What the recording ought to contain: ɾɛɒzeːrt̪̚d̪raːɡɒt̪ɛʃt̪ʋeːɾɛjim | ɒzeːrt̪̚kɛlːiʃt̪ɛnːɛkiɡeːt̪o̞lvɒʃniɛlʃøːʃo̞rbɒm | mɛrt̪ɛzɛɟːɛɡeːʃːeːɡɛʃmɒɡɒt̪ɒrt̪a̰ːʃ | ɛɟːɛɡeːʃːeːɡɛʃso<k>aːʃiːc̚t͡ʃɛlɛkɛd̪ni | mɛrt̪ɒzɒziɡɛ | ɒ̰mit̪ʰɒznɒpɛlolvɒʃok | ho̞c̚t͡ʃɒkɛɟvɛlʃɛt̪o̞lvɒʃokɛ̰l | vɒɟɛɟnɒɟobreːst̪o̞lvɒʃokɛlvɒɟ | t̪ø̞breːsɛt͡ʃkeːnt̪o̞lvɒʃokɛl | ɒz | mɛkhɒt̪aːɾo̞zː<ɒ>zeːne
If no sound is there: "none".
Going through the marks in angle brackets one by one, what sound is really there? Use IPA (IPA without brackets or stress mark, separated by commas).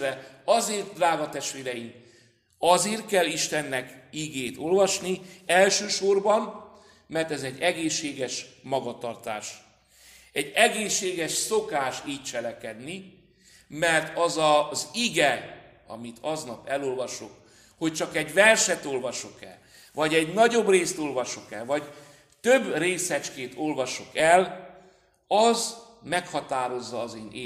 k, ɒː